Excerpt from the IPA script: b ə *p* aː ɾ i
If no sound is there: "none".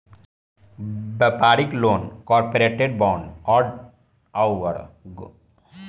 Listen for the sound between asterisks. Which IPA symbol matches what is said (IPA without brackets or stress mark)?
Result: p